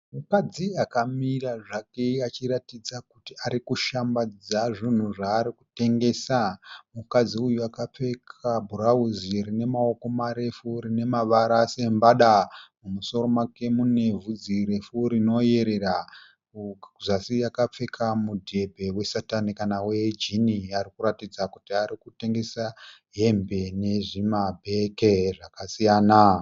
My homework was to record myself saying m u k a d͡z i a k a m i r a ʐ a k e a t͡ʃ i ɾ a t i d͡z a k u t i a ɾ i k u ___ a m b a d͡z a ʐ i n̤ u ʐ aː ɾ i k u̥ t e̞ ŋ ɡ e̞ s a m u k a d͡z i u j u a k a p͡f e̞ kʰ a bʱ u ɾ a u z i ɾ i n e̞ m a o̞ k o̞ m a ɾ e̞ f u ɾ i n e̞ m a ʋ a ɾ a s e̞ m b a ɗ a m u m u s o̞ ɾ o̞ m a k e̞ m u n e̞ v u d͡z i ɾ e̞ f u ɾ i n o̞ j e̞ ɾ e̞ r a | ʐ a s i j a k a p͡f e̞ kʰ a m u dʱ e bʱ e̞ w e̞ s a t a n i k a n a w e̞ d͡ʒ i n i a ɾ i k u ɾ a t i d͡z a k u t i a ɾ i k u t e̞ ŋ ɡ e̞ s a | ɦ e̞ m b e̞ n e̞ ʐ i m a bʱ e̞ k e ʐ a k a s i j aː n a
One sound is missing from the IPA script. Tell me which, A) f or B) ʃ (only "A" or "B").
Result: B